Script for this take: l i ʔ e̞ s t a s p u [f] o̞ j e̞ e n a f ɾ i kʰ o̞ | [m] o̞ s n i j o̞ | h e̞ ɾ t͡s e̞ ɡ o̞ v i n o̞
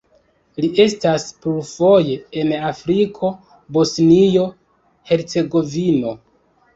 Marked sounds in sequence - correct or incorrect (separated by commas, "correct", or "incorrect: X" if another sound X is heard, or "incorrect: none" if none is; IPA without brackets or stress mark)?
correct, incorrect: b